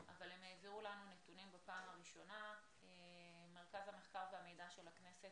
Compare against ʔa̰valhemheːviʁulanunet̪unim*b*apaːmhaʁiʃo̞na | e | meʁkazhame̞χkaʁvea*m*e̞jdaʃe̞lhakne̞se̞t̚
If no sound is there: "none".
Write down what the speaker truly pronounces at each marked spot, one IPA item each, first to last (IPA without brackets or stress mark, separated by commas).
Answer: b, m